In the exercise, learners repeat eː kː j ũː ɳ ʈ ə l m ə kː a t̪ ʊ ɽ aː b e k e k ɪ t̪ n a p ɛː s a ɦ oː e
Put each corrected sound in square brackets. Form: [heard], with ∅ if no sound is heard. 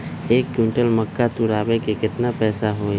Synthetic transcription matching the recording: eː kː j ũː ɳ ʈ ə l m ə kː a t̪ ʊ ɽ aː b e k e k ɪ t̪ n a p ɛː s a ɦ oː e